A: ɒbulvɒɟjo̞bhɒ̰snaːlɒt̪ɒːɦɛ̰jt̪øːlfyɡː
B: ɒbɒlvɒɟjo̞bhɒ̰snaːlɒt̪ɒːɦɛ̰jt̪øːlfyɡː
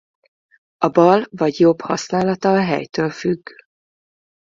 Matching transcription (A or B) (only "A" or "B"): B